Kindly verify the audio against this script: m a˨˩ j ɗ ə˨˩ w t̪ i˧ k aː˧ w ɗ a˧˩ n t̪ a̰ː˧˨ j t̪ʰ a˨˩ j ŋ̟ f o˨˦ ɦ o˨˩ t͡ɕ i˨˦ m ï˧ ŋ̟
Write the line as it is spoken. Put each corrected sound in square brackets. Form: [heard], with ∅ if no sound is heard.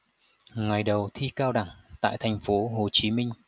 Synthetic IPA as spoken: [ŋ] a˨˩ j ɗ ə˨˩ w [t̪ʰ] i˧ k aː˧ w ɗ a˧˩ [ŋ] t̪ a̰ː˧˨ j t̪ʰ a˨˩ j ŋ̟ f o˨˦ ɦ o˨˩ t͡ɕ i˨˦ m ï˧ ŋ̟